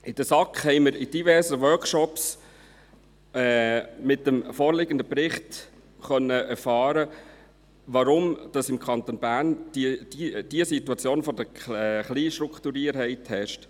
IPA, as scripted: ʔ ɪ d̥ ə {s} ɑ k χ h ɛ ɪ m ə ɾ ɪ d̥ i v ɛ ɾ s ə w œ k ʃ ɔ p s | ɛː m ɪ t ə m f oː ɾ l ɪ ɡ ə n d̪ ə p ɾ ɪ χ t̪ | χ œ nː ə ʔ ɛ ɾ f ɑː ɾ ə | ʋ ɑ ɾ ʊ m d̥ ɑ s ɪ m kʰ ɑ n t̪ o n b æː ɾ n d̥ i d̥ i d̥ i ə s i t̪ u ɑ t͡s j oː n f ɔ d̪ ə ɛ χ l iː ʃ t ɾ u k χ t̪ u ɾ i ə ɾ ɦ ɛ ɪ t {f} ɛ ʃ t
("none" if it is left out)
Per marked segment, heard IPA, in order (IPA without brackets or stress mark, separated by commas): s, h